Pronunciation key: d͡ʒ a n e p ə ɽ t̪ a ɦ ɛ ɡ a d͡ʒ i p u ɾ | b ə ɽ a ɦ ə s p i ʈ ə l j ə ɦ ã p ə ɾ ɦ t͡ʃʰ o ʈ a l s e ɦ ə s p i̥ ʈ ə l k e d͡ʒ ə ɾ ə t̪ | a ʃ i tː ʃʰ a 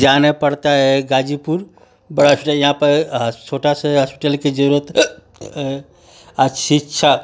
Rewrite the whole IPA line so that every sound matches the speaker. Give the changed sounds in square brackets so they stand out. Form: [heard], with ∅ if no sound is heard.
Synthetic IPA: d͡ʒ a n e p ə ɽ t̪ a ɦ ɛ ɡ a d͡ʒ i p u ɾ | b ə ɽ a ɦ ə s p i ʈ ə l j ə ɦ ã p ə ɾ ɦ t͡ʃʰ o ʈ a [∅] s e ɦ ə s p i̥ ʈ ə l k e d͡ʒ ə ɾ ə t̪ | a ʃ i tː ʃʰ a